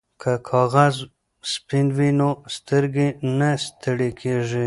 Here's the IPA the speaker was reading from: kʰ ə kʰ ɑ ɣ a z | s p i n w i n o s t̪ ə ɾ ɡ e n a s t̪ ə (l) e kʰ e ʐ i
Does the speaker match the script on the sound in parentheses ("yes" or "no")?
no